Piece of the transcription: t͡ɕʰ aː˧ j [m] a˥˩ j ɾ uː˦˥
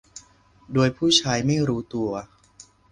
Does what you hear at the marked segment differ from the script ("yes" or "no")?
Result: no